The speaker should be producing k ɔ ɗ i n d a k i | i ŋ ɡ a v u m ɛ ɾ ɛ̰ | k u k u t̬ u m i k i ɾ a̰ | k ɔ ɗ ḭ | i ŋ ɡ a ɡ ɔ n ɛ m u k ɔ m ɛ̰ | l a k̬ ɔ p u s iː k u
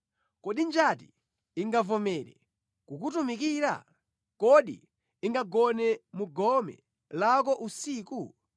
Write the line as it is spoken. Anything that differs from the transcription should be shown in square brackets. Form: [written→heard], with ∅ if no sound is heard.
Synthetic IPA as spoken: k ɔ ɗ i n [d→d͡ʒ] a [k→t] i | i ŋ ɡ a v [u→ɔ] m ɛ ɾ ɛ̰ | k u k u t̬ u m i k i ɾ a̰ | k ɔ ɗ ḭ | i ŋ ɡ a ɡ ɔ n ɛ m u [k→ɡ] ɔ m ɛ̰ | l a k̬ ɔ [p→ʔ] u s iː k u